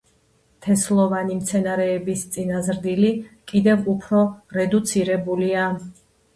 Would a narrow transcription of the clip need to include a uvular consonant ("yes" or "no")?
no